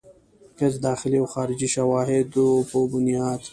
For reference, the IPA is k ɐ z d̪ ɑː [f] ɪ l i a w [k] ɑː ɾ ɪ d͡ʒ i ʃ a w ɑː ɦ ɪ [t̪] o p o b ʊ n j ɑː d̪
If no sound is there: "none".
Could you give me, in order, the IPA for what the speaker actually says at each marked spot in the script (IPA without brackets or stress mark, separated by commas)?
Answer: x, x, d̪